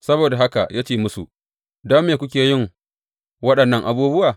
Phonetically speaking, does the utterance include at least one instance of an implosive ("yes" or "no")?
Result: yes